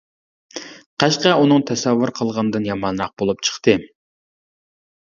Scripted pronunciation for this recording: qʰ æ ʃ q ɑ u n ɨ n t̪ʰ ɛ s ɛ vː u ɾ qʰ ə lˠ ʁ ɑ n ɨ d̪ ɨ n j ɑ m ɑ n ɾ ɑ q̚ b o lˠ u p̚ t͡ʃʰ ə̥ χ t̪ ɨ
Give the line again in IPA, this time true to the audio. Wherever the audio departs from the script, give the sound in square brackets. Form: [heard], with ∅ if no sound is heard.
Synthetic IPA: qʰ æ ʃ q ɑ u n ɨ [ŋ] t̪ʰ ɛ s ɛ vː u ɾ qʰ ə lˠ ʁ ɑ n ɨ d̪ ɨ n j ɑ m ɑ n ɾ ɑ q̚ b o lˠ u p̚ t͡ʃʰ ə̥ χ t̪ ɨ